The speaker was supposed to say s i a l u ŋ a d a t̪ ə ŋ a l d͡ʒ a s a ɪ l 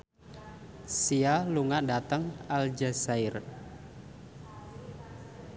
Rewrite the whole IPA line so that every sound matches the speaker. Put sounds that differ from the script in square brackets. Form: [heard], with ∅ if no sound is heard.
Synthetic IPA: s i a l u ŋ a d a t̪ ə ŋ a l d͡ʒ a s a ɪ [r]